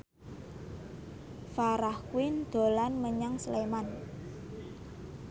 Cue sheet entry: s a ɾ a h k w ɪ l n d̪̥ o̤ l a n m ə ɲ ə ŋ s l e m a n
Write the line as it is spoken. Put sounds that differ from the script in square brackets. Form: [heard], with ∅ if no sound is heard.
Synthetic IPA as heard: [f] a ɾ a h k w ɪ [∅] n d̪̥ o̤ l a n m ə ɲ [a] ŋ s l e m a n